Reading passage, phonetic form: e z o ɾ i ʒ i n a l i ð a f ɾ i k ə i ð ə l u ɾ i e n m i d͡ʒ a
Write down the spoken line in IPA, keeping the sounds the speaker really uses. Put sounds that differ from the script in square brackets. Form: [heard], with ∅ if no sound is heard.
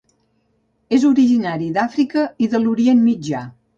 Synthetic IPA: e z [u] ɾ i ʒ i n a [ɾ] i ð a f ɾ i k ə i ð ə l u ɾ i e n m i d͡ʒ a